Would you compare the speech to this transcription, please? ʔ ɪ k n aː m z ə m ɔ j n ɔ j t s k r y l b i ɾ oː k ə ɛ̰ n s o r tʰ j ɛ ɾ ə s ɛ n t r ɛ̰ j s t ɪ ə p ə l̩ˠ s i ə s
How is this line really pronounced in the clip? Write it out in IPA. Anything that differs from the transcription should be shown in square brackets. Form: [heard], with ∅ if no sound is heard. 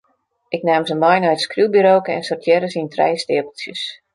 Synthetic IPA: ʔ ɪ k n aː m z ə m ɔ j n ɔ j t s k r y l b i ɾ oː k ə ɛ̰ n s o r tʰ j ɛ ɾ ə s [i] n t r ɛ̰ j s t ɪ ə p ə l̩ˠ s [j] ə s